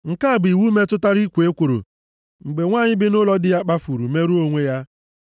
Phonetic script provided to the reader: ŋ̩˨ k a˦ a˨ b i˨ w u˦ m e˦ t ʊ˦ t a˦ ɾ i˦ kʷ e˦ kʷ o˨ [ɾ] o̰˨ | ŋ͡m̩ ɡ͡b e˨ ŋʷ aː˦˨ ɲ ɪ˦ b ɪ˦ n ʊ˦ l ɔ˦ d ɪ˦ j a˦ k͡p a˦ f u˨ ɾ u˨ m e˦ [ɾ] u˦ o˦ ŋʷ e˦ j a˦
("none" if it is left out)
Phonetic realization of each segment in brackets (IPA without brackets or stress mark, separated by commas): ɾ, ɾ